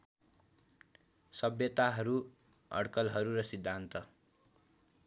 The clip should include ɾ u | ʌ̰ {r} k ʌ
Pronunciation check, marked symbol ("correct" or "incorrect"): incorrect